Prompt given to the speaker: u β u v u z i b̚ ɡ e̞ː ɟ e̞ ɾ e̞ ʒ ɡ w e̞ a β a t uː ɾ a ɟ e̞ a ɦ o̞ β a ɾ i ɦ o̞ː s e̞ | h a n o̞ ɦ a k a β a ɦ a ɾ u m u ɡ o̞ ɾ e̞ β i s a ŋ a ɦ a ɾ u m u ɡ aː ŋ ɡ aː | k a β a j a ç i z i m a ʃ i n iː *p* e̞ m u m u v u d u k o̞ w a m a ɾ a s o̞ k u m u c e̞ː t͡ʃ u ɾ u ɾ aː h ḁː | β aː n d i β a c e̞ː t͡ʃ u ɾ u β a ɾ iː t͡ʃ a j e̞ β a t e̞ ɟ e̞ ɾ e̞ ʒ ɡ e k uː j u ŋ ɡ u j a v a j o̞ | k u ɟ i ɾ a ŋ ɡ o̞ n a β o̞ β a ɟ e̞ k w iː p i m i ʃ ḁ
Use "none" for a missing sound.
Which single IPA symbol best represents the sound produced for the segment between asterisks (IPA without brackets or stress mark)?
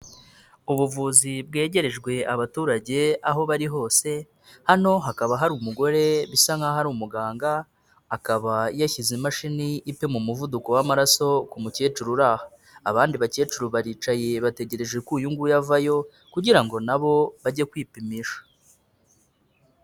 p